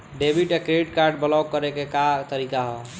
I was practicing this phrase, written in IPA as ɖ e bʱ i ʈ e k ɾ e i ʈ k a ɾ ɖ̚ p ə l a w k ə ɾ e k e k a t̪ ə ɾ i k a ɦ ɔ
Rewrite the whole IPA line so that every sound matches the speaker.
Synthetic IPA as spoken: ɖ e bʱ i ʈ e k ɾ e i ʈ k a ɾ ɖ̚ b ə l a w k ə ɾ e k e k a t̪ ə ɾ i k a ɦ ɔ